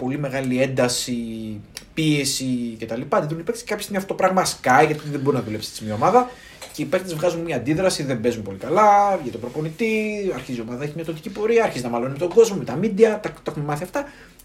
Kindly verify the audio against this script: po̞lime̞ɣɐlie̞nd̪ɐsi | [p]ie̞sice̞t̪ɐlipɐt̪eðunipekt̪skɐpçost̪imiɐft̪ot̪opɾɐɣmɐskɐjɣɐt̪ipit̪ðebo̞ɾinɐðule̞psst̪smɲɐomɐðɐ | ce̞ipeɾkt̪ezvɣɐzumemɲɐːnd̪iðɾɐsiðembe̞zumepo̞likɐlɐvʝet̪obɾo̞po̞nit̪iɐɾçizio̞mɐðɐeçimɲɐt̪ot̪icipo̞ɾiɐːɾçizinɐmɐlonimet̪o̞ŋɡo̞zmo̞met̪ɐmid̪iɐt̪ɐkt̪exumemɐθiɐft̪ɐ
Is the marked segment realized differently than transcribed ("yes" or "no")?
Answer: no